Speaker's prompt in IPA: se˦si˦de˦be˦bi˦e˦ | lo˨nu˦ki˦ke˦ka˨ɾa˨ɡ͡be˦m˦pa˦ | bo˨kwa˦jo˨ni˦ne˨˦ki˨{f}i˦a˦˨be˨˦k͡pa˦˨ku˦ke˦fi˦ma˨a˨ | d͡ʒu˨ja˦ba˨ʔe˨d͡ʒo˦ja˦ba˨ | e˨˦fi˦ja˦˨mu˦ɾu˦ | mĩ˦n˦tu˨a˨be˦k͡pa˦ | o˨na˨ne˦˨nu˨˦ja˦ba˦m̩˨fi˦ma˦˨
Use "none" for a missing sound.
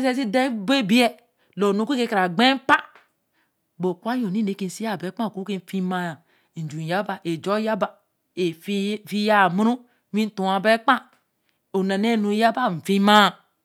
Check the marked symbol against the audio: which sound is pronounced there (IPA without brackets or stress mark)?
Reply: s